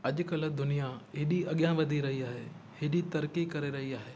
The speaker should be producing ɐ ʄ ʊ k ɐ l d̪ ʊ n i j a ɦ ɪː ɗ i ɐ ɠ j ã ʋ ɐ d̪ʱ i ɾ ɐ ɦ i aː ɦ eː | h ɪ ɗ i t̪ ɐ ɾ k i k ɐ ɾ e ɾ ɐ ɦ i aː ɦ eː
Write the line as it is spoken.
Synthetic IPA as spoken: ɐ ʄ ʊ k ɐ l d̪ ʊ n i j a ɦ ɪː ɗ i ɐ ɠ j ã ʋ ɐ d̪ʱ i ɾ ɐ ɦ i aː ɦ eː | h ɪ ɗ i t̪ ɐ ɾ k i k ɐ ɾ e ɾ ɐ ɦ i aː ɦ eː